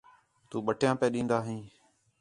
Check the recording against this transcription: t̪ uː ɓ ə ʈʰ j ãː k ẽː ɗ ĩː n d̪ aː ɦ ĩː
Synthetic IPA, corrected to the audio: t̪ uː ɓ ə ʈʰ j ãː p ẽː ɗ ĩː n d̪ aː ɦ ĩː